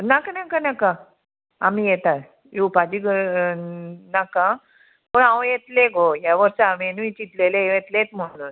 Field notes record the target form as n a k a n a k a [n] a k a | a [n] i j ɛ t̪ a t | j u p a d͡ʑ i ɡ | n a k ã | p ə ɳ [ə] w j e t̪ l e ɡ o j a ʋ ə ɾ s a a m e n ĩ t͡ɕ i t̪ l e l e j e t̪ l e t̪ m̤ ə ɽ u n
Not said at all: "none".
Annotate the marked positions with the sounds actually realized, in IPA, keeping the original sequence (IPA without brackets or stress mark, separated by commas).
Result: n, m, a